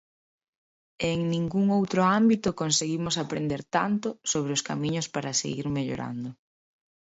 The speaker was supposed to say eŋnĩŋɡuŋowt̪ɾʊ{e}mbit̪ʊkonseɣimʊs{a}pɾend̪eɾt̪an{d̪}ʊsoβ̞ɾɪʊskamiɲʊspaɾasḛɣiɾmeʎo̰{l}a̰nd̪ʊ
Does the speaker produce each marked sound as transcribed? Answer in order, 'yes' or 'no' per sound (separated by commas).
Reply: no, yes, no, no